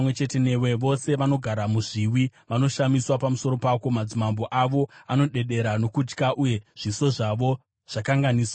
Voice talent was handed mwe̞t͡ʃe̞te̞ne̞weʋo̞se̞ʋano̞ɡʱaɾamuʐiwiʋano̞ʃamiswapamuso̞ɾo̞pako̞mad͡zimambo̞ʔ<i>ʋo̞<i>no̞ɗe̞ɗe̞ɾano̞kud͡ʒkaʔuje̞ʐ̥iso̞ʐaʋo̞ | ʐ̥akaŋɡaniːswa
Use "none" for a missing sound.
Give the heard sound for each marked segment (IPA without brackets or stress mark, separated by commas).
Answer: a, a